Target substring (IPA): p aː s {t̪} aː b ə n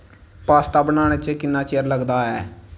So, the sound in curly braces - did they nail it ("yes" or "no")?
yes